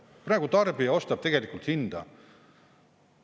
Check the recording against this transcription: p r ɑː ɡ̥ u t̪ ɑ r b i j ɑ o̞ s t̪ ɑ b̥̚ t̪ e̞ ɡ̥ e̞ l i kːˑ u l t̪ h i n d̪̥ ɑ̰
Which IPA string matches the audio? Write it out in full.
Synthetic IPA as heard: p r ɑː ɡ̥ u t̪ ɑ r b i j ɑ o̞ s t̪ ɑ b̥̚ t̪ e̞ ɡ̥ e̞ l i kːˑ u l t̪ h i n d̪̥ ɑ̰